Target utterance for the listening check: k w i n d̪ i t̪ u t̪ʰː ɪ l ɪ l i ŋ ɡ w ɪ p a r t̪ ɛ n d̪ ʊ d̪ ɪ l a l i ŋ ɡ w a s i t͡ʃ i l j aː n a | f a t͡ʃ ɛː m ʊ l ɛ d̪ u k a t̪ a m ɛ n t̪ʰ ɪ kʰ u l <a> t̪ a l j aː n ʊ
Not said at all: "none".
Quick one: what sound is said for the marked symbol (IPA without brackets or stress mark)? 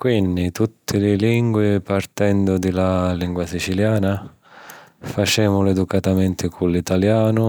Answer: i